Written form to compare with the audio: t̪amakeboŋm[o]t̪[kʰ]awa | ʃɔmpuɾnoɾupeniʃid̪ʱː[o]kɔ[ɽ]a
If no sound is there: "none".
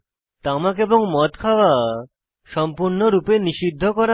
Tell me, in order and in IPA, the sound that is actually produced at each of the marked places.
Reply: ɔ, kʰ, o, ɾ

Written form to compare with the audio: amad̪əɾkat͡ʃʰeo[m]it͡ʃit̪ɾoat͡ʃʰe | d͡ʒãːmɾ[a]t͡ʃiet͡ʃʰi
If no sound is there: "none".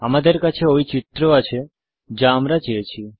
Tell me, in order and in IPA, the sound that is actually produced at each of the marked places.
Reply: none, a

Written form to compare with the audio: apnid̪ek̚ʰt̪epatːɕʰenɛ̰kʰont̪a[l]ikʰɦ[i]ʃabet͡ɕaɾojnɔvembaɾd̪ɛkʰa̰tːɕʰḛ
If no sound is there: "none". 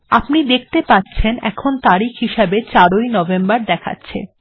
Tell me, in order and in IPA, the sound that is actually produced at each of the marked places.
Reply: ɾ, i

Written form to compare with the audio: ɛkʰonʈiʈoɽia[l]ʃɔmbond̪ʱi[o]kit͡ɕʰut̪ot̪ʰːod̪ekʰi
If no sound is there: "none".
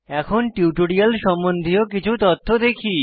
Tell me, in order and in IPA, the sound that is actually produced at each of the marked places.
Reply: l, o

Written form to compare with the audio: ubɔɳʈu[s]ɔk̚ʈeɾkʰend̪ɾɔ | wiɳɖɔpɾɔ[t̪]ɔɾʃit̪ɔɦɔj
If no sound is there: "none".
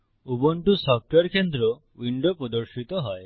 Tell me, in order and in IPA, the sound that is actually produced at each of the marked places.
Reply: s, d̪

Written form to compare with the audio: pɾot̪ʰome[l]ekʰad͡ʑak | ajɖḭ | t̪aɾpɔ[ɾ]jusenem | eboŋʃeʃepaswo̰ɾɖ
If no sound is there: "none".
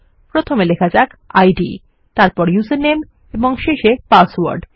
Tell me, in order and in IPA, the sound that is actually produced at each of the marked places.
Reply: l, ɾ

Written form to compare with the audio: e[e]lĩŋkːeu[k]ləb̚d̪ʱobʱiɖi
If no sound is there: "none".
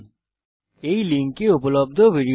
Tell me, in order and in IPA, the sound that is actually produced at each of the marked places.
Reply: i, p

